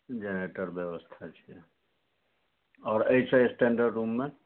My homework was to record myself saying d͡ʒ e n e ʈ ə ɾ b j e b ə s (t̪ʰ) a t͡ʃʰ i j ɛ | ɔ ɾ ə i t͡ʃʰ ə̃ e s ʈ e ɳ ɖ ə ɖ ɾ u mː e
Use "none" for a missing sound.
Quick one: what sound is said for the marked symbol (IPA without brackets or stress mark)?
t̪ʰ